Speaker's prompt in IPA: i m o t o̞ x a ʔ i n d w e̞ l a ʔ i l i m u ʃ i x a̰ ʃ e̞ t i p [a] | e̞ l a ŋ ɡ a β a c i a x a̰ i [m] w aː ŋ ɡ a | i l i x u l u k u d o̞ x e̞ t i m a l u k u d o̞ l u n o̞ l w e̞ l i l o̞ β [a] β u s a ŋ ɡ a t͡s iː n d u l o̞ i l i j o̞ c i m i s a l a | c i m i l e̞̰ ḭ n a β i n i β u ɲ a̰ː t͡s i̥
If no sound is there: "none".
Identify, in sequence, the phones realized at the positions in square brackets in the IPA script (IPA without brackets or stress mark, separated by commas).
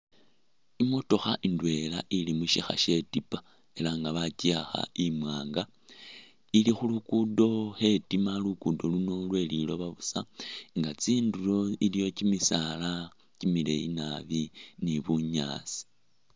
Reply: a, m, a